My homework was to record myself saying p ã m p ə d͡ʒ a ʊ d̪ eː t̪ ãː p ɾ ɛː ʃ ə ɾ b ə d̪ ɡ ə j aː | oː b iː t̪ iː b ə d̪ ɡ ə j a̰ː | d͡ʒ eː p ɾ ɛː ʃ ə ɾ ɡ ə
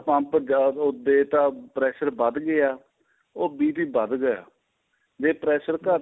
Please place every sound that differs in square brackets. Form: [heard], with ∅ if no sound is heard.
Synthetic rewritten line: p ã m p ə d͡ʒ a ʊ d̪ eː t̪ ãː p ɾ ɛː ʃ ə ɾ b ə d̪ ɡ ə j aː | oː b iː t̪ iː b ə d̪ ɡ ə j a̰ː | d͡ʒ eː p ɾ ɛː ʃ ə ɾ [k] ə